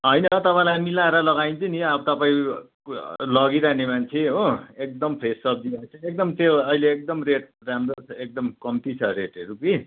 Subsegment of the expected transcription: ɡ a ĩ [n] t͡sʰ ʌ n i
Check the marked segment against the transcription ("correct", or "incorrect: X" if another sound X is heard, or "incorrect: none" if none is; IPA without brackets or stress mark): correct